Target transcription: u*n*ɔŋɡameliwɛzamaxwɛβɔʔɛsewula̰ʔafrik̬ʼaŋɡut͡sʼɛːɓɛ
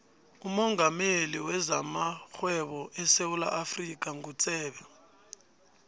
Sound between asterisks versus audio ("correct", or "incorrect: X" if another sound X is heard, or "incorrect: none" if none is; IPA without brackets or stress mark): incorrect: m